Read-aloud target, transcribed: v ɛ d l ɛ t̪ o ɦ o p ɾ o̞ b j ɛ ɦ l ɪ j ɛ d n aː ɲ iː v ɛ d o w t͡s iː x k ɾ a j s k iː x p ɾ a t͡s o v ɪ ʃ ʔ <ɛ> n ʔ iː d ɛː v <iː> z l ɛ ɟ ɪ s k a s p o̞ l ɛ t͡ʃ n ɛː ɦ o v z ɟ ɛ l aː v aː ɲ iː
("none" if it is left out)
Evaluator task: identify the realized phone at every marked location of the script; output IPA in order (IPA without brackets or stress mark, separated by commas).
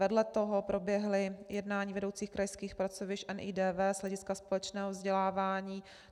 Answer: ɛ, ɛː